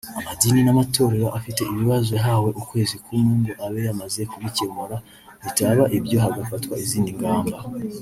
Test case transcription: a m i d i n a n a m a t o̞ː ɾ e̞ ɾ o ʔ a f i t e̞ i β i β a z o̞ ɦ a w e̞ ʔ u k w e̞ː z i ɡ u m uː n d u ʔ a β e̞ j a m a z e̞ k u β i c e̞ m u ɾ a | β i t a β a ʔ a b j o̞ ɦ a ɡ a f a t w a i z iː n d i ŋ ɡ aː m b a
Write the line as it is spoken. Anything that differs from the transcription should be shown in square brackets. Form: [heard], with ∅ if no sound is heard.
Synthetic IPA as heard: a m [a] d i n [i] n a m a t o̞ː ɾ e̞ ɾ o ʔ a f i t e̞ i β i β a z o̞ ɦ a w e̞ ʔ u k w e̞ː z i [k] u m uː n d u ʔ a β e̞ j a m a z e̞ k u β i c e̞ m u ɾ a | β i t a β a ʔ [i] b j o̞ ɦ a ɡ a f a t w a i z iː n d i ŋ ɡ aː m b a